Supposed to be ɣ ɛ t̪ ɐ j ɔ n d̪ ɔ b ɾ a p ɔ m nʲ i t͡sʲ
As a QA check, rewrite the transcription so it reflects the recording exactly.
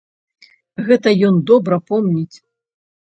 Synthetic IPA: ɣ ɛ t̪ ɐ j ɔ n d̪ ɔ b ɾ ɐ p ɔ m nʲ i t͡sʲ